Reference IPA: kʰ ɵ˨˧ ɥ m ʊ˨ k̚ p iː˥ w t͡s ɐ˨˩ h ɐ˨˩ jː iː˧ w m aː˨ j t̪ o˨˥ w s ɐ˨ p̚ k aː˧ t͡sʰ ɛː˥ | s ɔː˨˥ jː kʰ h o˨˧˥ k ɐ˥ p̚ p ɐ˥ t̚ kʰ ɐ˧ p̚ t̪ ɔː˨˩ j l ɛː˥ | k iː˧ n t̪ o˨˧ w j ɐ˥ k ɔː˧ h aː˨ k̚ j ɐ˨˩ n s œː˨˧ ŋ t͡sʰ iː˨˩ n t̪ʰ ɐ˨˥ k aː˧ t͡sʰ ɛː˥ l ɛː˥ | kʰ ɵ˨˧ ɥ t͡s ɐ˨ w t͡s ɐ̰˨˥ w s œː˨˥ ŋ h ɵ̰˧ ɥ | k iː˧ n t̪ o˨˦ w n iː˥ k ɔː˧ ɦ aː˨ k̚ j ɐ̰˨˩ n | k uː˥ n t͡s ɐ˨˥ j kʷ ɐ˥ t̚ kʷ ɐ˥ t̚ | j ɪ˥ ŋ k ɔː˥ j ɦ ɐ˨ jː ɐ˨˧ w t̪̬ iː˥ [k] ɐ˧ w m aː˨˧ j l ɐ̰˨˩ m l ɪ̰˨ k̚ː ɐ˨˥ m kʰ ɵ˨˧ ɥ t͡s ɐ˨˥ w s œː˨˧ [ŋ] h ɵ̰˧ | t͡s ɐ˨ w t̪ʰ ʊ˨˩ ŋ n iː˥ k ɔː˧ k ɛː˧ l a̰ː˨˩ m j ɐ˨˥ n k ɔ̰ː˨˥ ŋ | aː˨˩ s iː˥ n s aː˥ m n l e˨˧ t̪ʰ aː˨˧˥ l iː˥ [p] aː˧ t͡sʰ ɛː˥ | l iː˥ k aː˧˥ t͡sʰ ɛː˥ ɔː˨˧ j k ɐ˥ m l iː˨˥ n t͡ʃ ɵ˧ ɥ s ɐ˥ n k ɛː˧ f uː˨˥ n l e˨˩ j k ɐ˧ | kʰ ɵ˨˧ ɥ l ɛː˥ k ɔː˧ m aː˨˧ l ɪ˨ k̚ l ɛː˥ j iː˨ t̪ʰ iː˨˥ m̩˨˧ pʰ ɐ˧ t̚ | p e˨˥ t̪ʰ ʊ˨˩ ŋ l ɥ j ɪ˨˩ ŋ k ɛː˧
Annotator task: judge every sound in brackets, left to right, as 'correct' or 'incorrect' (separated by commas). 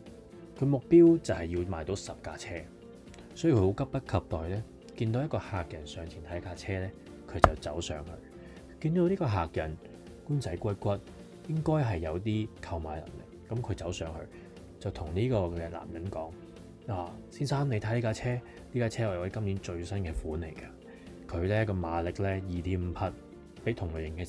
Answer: incorrect, correct, incorrect